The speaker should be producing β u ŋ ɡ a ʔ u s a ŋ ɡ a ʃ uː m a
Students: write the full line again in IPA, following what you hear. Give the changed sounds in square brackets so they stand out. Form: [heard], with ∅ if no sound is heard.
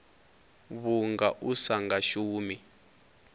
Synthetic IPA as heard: β u ŋ ɡ a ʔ u s a ŋ ɡ a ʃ uː m [i]